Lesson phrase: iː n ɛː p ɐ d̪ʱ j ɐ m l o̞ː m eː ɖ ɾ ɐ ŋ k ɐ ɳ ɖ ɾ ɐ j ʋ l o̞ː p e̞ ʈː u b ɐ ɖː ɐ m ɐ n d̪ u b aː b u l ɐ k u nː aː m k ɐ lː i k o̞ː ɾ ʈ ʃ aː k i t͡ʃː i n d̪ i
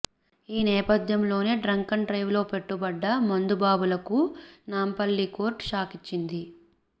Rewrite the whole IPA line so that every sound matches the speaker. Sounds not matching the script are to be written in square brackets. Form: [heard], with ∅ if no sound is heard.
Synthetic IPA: iː n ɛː p ɐ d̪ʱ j ɐ m l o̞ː [n] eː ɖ ɾ ɐ ŋ k ɐ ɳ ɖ ɾ ɐ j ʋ l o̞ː p e̞ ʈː u b ɐ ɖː ɐ m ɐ n d̪ u b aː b u l ɐ k u [n] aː m [p] ɐ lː i k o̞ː ɾ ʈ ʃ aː k i t͡ʃː i n d̪ i